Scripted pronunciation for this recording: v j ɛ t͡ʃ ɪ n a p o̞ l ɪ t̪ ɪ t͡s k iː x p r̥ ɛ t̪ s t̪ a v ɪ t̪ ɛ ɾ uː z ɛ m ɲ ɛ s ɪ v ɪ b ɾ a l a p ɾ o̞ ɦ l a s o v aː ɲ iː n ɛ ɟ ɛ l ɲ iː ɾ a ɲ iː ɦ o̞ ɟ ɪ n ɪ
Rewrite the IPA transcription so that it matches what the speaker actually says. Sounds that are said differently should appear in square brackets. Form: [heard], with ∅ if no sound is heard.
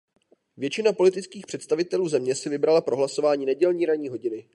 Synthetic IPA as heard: v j ɛ t͡ʃ ɪ n a p o̞ l ɪ t̪ ɪ t͡s k iː x p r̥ ɛ t̪ s t̪ a v ɪ t̪ ɛ [l] uː z ɛ m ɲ ɛ s ɪ v ɪ b ɾ a l a p ɾ o̞ ɦ l a s o v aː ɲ iː n ɛ ɟ ɛ l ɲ iː ɾ a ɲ iː ɦ o̞ ɟ ɪ n ɪ